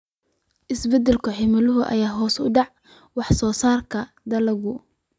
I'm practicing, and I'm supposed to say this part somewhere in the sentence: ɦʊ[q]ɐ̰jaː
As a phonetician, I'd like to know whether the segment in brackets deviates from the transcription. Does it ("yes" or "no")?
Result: yes